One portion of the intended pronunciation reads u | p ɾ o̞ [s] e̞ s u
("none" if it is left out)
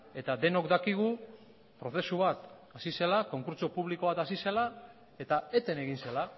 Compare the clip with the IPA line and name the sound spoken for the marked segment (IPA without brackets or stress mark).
θ